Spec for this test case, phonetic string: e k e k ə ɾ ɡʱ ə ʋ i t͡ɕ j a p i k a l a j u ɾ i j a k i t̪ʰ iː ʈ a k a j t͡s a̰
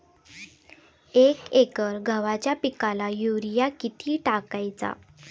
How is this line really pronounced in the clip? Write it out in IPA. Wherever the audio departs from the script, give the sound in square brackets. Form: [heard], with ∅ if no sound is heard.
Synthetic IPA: e k e k ə ɾ ɡʱ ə ʋ [a] t͡ɕ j a p i k a l a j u ɾ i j a k i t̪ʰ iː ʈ a k a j t͡s a̰